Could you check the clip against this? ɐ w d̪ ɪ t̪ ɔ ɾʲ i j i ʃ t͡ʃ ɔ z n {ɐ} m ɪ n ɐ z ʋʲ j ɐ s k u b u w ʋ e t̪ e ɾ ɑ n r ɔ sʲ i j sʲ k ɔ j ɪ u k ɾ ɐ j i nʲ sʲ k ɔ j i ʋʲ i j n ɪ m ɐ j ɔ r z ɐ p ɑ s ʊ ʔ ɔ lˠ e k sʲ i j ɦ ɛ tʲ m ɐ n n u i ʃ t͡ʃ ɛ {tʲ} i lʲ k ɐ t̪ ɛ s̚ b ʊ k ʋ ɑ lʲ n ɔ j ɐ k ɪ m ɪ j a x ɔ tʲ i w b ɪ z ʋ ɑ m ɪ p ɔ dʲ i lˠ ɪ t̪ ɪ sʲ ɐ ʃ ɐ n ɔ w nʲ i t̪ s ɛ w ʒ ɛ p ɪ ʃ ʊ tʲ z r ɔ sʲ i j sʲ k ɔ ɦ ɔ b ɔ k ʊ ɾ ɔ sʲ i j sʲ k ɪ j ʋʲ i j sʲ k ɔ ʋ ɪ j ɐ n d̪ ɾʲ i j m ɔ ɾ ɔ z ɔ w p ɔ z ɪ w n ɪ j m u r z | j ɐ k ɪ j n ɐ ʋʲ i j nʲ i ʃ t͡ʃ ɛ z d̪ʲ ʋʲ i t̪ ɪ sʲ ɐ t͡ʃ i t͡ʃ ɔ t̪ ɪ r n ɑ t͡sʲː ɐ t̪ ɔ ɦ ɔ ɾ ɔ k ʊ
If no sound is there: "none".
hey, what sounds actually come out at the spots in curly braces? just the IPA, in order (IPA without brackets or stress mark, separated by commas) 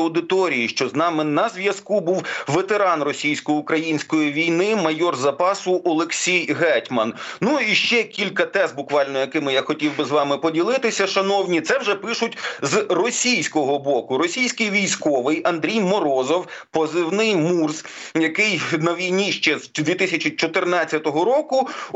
ɑ, kʲ